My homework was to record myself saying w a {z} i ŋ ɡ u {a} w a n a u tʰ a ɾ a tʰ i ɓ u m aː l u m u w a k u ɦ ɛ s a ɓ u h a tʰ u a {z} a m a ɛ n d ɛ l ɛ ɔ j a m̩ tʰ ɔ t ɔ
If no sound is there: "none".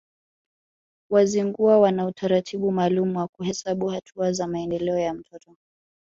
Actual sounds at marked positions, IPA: z, a, z

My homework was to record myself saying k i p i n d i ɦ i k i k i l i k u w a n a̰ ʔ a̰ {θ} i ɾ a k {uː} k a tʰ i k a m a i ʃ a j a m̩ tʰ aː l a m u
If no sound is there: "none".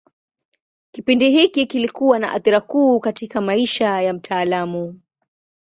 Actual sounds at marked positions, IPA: θ, uː

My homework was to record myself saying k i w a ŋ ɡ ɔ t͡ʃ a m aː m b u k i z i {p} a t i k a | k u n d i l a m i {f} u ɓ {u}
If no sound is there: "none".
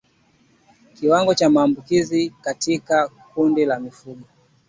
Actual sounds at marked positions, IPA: k, f, ɔ

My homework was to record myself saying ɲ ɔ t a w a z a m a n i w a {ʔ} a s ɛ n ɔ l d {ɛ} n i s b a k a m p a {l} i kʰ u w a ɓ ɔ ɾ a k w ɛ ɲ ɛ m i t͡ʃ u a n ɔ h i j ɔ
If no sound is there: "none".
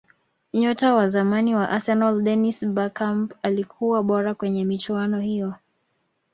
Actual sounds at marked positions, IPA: ʔ, ɛ, l

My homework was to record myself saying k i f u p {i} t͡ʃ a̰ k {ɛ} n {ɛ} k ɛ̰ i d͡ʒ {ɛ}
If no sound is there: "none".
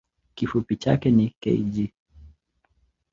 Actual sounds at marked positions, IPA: i, ɛ, i, i

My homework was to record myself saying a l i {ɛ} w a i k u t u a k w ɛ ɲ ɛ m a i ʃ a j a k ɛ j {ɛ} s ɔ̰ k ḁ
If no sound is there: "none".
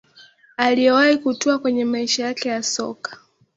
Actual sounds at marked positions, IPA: ɛ, a

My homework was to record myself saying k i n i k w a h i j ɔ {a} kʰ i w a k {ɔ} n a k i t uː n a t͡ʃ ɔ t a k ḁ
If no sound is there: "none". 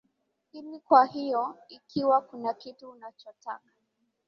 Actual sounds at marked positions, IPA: i, u

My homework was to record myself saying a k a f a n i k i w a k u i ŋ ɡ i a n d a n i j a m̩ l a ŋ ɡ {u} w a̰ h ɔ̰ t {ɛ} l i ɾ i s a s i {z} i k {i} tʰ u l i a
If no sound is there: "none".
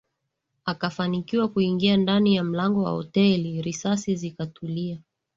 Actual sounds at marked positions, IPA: ɔ, ɛ, z, a

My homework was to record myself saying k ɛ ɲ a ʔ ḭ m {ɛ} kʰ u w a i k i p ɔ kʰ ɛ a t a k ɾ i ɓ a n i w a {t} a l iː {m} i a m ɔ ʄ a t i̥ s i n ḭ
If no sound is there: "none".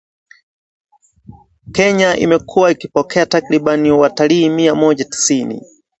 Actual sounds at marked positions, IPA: ɛ, t, m

